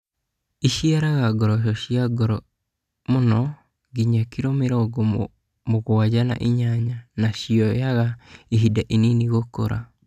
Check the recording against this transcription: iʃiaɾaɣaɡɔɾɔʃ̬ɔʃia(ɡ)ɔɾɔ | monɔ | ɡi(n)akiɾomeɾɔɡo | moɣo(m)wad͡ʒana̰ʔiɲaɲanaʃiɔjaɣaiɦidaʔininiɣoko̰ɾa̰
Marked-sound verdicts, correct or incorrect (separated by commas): correct, incorrect, incorrect